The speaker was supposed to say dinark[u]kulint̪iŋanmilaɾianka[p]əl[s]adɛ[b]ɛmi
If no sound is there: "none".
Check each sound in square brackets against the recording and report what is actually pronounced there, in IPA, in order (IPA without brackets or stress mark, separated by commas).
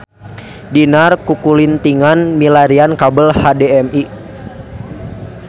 u, b, h, none